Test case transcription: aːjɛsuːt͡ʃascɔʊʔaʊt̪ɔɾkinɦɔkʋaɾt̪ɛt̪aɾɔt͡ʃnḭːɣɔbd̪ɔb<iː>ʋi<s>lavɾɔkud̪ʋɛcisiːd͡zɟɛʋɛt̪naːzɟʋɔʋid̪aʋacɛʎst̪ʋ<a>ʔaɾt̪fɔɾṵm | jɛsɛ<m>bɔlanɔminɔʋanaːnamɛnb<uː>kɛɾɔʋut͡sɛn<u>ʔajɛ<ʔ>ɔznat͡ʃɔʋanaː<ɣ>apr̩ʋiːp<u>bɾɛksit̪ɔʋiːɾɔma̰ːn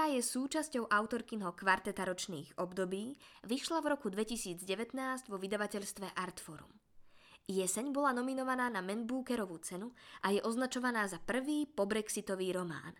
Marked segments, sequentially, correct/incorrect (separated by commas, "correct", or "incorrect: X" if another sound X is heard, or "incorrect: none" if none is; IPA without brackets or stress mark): correct, incorrect: ʃ, incorrect: ɛ, incorrect: ɲ, correct, correct, correct, incorrect: z, incorrect: ɔ